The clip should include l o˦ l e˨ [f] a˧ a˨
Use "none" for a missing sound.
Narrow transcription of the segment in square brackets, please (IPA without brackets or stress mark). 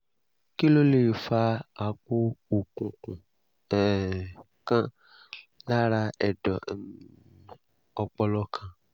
f